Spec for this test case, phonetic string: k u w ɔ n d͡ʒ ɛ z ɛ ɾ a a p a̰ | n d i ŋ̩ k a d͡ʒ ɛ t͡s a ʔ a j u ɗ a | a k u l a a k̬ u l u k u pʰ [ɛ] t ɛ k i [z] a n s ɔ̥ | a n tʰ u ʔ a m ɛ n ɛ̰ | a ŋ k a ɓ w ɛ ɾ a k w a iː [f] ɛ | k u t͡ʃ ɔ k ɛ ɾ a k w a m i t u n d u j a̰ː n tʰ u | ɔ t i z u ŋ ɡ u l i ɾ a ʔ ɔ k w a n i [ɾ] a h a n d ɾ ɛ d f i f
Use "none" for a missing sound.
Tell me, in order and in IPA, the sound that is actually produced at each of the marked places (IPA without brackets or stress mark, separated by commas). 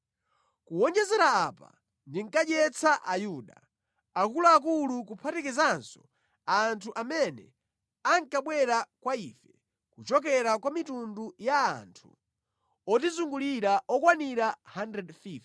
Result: a, z, f, ɾ